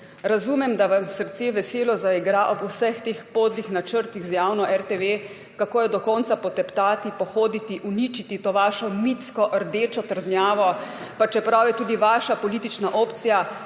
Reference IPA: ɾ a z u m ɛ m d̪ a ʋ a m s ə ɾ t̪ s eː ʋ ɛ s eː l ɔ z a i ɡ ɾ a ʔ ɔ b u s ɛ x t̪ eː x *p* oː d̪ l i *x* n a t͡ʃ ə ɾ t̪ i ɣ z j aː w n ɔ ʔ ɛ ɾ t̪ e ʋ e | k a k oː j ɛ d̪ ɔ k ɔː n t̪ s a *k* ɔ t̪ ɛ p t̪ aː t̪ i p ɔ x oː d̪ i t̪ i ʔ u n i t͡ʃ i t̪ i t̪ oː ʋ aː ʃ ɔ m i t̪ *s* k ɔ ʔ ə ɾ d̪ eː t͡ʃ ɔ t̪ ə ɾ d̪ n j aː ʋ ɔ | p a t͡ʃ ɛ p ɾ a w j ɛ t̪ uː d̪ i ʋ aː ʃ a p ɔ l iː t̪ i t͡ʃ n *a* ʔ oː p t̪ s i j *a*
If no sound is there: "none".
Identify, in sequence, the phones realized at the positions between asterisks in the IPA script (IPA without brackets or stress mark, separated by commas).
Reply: p, x, p, s, a, a